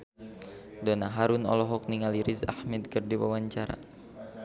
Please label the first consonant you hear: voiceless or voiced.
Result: voiced